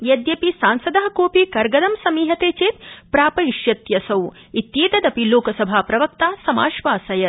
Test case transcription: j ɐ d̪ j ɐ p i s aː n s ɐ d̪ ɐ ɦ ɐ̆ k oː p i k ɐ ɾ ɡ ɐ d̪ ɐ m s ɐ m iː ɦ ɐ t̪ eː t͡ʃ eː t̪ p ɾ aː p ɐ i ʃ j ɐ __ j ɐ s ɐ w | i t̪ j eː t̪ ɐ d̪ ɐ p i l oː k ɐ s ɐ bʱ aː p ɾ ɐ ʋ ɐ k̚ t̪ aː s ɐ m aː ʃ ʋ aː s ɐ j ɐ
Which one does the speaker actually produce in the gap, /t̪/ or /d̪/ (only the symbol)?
t̪